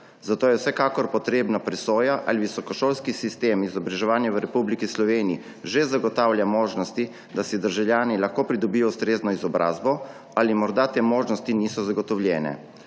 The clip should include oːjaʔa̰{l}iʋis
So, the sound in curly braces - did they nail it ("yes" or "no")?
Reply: yes